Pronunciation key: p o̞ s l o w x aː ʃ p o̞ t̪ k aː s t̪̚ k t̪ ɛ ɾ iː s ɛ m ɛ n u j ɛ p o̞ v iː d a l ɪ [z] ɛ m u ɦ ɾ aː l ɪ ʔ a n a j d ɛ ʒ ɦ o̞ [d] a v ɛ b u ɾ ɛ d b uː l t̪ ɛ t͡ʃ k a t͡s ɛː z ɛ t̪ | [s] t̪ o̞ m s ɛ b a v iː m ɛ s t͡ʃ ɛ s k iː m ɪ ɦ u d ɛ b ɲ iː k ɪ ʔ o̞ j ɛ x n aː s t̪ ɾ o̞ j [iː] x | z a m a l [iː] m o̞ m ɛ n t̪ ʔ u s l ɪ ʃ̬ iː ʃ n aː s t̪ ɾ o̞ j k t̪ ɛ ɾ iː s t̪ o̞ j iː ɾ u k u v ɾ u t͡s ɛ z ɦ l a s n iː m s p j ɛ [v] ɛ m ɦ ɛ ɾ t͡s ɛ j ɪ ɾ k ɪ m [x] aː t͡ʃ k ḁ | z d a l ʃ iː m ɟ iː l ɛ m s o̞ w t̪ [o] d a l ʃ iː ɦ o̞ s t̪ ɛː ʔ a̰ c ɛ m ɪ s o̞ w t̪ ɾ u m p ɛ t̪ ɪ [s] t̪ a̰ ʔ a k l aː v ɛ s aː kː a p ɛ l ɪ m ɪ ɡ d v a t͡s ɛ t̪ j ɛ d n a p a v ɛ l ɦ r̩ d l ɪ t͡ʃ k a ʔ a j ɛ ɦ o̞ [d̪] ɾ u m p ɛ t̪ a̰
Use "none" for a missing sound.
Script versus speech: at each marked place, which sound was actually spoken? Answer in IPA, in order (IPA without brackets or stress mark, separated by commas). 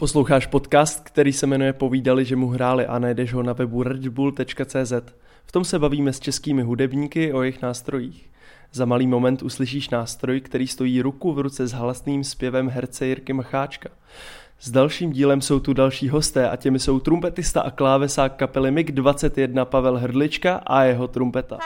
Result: ʒ, n, f, iː, iː, v, x, u, s, t̪